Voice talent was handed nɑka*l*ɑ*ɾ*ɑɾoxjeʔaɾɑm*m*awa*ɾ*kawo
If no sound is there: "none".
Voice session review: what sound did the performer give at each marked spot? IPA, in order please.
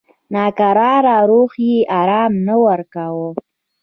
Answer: ɾ, ɾ, n, ɾ

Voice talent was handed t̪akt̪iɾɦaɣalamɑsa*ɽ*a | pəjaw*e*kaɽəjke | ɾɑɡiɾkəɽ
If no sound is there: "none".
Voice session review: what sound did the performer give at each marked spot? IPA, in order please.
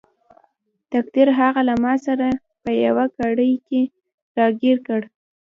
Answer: ɾ, a

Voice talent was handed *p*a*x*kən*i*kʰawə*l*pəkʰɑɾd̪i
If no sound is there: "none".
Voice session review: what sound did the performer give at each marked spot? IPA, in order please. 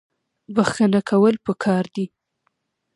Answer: b, x, a, l

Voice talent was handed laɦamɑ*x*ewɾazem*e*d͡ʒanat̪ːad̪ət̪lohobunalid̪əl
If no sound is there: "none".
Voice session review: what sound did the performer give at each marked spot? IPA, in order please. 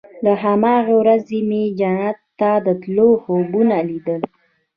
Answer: ɣ, e

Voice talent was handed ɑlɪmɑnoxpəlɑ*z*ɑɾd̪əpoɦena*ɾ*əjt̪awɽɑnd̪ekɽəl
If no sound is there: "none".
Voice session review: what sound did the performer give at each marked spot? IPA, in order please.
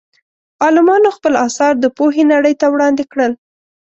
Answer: s, ɽ

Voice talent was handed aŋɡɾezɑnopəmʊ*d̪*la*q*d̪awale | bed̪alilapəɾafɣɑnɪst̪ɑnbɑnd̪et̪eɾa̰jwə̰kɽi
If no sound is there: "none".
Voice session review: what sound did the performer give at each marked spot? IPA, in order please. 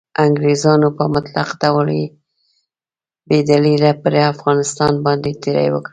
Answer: t̪, q

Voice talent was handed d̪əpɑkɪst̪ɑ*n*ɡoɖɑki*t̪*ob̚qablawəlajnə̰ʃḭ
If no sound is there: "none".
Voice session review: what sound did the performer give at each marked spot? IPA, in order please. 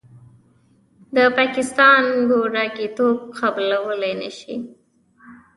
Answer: n, t̪

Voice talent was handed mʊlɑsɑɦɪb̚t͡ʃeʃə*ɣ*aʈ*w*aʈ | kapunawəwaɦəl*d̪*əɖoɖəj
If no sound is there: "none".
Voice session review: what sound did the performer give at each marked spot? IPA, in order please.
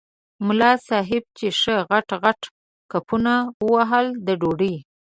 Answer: ɣ, ɣ, d̪

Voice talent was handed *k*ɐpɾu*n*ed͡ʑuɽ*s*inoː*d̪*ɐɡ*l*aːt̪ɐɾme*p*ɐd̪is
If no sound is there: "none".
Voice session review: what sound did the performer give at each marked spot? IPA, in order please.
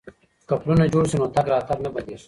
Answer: k, n, s, t̪, ɾ, b

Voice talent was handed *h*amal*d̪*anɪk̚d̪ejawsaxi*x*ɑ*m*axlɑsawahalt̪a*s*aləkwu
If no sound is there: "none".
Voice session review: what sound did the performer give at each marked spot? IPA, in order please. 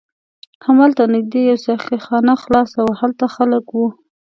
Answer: h, t̪, x, n, x

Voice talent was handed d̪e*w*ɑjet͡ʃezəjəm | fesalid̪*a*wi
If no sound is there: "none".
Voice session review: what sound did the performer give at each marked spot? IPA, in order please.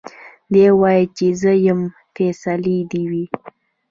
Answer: w, i

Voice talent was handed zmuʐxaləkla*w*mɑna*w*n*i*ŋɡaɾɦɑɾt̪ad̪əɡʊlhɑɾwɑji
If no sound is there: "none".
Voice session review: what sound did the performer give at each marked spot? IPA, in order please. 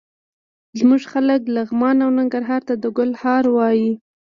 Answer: ɣ, w, a

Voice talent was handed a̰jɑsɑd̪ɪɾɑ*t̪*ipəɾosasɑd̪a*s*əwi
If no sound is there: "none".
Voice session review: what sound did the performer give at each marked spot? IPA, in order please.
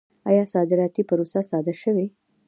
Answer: t̪, ʃ

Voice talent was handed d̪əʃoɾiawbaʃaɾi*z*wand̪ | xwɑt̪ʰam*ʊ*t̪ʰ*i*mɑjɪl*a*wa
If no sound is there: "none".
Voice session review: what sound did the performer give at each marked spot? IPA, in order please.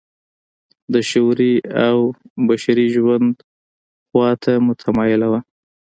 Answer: ʒ, ʊ, a, a

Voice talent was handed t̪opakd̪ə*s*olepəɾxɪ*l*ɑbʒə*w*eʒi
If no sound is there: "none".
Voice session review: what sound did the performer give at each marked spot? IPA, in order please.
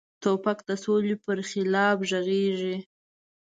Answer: s, l, ɣ

